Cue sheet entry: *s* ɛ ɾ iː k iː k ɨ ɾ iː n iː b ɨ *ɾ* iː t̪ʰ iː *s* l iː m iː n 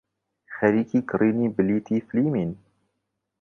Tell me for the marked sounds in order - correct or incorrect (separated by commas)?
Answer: incorrect, incorrect, incorrect